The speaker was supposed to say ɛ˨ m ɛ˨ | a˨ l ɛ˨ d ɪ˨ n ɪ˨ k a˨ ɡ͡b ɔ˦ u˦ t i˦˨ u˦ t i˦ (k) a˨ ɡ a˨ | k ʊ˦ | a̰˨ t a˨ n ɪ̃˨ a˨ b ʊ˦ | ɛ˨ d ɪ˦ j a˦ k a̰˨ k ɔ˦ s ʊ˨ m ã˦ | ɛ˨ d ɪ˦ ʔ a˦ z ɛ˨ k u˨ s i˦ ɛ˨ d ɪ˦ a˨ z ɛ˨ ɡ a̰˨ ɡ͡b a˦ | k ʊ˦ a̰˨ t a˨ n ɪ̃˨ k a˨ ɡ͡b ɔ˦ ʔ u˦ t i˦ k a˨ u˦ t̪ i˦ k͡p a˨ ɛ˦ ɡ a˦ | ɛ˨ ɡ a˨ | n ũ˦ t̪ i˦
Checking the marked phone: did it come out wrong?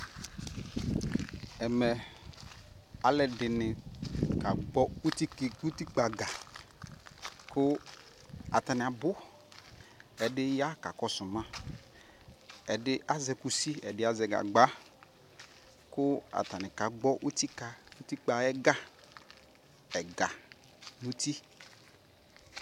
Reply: yes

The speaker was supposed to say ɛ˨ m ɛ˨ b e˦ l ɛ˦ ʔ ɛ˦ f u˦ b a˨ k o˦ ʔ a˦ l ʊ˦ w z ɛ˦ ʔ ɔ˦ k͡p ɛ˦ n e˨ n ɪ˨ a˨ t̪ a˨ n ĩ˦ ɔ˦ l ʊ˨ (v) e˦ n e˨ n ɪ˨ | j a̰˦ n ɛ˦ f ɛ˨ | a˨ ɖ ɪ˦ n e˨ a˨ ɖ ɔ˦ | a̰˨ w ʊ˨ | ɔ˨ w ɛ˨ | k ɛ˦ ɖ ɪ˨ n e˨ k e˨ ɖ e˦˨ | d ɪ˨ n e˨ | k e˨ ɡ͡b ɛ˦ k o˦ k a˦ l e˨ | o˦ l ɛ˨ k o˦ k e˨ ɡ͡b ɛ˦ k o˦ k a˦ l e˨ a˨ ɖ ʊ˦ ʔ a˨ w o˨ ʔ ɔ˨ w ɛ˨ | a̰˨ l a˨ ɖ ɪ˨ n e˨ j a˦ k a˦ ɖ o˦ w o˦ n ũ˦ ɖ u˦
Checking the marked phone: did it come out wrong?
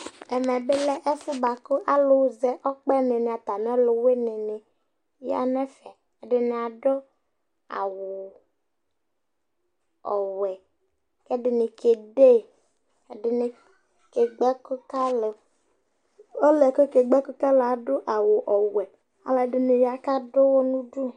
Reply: yes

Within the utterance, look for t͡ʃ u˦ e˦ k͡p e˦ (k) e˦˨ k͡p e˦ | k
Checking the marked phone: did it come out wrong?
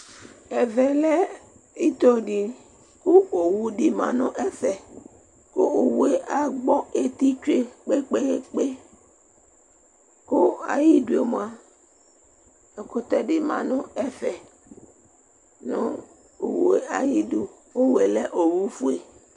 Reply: yes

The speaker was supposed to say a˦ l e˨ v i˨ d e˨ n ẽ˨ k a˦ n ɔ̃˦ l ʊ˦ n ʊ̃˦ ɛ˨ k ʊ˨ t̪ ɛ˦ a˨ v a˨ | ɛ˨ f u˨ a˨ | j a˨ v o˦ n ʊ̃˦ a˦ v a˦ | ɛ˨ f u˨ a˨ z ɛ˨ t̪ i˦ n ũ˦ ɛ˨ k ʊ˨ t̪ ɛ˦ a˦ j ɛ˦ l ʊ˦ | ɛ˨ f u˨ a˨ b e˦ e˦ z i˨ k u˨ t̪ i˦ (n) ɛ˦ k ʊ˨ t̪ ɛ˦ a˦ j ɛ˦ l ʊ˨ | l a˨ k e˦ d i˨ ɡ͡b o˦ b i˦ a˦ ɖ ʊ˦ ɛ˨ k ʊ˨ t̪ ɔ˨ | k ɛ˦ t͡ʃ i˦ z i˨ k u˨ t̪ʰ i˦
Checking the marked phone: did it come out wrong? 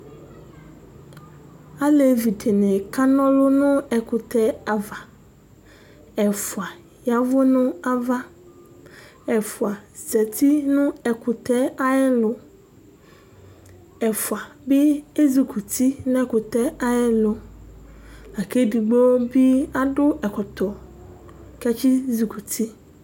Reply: no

